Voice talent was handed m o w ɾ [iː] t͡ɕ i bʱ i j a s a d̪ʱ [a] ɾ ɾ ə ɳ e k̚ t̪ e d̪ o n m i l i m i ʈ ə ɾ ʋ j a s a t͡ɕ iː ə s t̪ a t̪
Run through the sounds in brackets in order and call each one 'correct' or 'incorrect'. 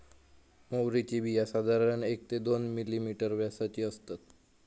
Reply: incorrect: i, correct

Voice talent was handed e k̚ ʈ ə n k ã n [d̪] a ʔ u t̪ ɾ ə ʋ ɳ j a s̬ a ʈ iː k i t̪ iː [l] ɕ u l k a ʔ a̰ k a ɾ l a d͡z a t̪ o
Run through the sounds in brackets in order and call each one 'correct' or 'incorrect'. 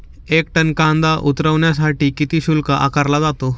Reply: correct, incorrect: none

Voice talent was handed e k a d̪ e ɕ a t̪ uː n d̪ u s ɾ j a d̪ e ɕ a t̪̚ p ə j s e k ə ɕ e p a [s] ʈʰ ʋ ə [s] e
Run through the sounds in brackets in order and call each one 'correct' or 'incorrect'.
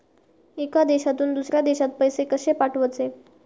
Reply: incorrect: none, incorrect: t͡s

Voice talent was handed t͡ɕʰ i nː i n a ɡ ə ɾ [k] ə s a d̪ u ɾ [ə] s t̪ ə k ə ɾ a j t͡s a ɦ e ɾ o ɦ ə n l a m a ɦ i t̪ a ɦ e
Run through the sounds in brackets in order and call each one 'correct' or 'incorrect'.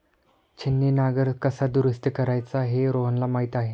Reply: correct, correct

